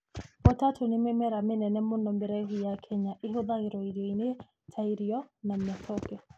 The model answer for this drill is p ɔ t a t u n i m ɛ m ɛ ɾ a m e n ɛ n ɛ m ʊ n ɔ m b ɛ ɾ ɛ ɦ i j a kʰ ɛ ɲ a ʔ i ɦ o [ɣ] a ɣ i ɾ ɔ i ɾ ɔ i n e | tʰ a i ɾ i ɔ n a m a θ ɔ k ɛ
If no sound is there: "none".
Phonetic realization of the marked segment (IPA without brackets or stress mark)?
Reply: ð